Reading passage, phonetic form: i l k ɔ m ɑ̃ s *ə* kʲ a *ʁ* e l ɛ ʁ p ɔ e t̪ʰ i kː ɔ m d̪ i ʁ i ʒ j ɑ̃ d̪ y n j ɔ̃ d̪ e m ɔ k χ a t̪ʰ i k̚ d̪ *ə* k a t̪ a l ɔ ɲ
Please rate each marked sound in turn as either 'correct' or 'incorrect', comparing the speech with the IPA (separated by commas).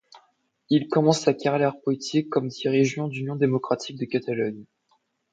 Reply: incorrect, correct, correct